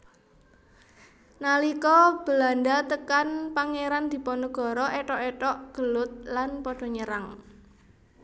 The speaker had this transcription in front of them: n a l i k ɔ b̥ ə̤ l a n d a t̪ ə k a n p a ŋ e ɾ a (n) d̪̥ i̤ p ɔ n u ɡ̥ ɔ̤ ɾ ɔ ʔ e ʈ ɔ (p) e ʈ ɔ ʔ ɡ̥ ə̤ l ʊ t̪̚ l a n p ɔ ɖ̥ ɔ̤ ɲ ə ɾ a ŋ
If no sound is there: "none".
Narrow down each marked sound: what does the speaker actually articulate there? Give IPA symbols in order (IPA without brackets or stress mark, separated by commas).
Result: n, ʔ